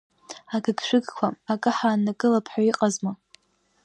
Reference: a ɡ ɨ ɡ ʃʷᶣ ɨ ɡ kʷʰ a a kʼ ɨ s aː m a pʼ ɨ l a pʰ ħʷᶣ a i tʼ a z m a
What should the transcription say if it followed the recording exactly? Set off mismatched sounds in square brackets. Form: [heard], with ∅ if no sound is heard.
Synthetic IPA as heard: a ɡ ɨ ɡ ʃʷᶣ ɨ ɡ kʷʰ a a kʼ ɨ [ħ] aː [n] a [kʼ] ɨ l a pʰ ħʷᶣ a i [qʼ] a z m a